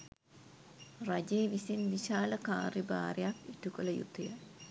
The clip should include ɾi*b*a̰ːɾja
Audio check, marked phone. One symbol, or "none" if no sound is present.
b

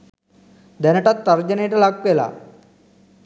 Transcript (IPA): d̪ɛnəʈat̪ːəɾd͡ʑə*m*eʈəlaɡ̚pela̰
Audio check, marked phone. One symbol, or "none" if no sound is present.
n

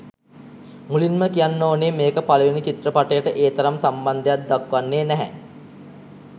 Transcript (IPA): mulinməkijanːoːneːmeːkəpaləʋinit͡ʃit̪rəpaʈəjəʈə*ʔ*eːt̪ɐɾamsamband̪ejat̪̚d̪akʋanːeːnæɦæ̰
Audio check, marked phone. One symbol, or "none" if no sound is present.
ʔ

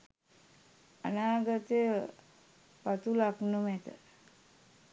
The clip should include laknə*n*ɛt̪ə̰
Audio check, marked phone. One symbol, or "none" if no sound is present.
m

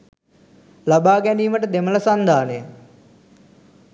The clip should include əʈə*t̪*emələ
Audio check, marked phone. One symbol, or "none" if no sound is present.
d̪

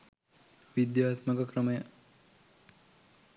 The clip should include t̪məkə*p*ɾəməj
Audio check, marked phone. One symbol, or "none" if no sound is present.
k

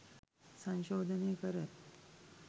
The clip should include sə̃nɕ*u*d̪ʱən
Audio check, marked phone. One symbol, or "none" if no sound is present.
o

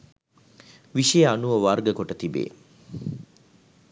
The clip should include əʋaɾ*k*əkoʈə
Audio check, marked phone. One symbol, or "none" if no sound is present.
ɡ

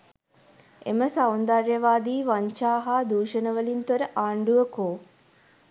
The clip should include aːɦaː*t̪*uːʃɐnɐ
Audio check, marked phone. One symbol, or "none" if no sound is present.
d̪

